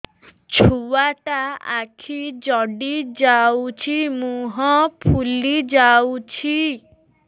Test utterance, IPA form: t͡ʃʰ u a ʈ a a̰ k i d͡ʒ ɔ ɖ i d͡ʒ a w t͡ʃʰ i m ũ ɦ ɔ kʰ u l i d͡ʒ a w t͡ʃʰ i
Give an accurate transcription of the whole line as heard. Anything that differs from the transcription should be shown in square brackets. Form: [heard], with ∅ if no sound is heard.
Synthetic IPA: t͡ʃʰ u a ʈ a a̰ [kʰ] i d͡ʒ ɔ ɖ i d͡ʒ a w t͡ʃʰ i m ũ ɦ ɔ [pʰ] u l i d͡ʒ a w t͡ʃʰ i